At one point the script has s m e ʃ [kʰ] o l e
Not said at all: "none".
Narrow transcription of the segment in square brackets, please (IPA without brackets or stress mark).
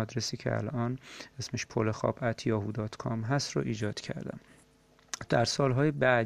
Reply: pʰ